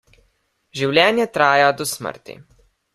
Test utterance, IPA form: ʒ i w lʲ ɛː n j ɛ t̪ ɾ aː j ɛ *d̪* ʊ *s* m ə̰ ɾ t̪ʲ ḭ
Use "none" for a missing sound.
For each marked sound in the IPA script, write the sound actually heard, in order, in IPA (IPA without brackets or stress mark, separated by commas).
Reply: d̪, s